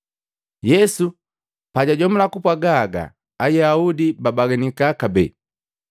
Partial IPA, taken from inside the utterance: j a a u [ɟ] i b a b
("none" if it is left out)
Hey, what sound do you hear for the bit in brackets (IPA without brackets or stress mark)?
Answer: d